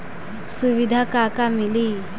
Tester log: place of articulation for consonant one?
alveolar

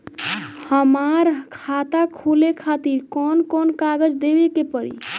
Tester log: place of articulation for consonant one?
glottal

